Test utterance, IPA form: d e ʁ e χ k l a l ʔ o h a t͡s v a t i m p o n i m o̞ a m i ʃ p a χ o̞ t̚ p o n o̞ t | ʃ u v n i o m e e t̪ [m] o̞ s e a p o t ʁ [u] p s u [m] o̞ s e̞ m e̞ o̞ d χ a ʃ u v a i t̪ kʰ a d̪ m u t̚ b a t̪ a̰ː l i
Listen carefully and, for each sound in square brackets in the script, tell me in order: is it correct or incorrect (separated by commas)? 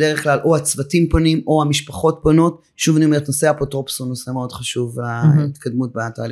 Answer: incorrect, incorrect, incorrect